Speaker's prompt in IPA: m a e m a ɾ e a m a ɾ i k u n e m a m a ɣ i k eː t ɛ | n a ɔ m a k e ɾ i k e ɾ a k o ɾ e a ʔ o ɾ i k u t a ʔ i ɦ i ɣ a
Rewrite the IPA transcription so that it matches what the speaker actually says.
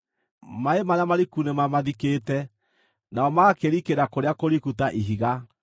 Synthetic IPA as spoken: m a e m a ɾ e a m a ɾ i k u n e m a m a ð i k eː t ɛ | n a ɔ m a k e ɾ i k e ɾ a k o ɾ e a k o ɾ i k u t a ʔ i ɦ i ɣ a